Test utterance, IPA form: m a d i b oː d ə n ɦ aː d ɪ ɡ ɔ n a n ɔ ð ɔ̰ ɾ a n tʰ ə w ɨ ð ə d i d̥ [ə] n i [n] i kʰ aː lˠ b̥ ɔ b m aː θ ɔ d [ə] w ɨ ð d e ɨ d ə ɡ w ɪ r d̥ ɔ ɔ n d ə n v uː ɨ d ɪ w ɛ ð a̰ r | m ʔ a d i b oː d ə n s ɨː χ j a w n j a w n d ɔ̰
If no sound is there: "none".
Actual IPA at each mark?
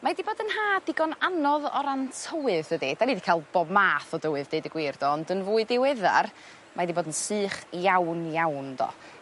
a, d, ə

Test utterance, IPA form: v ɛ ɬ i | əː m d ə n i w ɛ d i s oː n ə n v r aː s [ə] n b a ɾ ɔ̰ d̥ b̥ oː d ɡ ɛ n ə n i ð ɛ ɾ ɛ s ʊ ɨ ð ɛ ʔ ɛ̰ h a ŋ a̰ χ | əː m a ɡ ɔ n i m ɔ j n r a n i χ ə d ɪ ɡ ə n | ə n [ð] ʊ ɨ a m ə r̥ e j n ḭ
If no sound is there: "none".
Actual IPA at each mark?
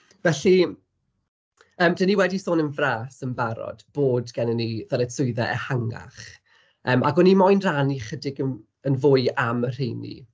ə, v

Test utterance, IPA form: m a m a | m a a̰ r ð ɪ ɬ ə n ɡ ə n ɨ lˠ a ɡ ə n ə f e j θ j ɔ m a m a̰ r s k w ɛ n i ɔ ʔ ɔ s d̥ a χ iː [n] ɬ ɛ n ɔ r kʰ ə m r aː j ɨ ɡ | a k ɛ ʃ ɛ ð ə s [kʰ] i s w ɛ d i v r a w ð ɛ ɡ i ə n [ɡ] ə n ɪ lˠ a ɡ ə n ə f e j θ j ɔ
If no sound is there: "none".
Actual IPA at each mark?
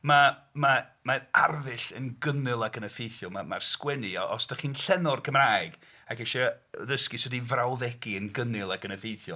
n, k, ɡ

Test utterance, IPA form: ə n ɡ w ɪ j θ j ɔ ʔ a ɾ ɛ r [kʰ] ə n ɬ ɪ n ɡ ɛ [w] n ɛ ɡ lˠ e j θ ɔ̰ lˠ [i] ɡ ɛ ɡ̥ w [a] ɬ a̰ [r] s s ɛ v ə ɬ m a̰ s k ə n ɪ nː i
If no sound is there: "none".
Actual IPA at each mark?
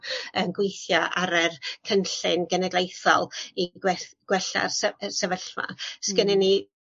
kʰ, none, i, ɛ, r

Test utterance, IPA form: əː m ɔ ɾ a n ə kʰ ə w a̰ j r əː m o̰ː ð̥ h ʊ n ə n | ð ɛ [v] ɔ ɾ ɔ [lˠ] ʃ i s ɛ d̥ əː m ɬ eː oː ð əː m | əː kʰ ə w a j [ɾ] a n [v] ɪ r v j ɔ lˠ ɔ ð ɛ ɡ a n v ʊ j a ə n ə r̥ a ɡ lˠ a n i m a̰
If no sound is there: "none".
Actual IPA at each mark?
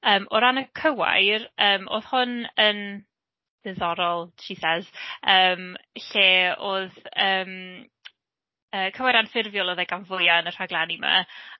ð, lˠ, ɾ, f

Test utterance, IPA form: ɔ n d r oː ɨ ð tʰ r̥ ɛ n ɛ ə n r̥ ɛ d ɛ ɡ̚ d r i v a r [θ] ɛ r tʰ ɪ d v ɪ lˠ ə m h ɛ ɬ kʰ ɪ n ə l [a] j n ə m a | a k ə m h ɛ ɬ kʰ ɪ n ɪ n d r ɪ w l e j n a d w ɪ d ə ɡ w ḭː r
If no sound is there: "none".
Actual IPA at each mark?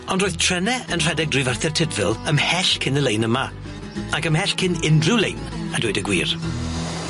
θ, e

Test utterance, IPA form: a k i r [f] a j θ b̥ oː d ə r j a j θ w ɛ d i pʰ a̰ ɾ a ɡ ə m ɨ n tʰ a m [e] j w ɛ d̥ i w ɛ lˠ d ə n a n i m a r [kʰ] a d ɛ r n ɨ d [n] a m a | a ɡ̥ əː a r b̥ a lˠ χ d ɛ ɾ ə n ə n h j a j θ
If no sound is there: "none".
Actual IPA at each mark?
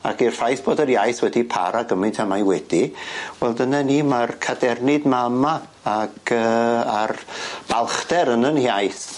f, a, kʰ, m

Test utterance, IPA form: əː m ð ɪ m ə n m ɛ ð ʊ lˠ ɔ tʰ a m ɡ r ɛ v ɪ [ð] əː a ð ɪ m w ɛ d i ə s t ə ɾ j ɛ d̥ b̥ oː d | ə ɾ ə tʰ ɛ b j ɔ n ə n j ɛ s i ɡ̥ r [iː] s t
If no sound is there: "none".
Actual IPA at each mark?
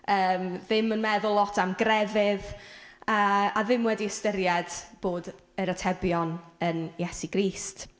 ð, iː

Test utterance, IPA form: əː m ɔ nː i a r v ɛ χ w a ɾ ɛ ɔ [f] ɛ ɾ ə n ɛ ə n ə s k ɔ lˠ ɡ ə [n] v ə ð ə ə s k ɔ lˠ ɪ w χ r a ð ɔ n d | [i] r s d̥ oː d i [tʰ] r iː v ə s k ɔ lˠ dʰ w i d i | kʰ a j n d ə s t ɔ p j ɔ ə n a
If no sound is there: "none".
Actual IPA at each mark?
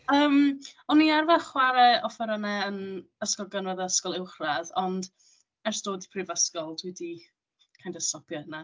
f, n, ɛ, pʰ

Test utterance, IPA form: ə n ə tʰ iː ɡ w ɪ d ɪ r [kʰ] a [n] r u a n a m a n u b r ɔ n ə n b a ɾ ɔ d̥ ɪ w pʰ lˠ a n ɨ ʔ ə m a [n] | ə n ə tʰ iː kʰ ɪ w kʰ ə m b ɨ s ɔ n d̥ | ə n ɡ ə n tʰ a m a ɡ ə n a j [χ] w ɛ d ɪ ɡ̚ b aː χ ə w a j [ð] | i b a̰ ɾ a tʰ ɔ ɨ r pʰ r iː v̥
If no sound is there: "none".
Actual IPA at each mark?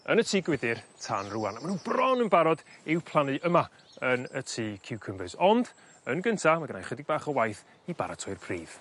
tʰ, n, none, χ, θ

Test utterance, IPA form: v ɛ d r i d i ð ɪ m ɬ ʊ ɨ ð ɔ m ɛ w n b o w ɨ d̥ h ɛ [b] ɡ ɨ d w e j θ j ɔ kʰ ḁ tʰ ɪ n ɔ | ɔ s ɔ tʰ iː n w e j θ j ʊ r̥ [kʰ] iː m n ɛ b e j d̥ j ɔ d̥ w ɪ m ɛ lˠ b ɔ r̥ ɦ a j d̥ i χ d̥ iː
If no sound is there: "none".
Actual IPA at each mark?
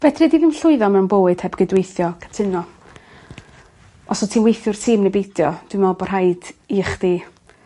b, tʰ

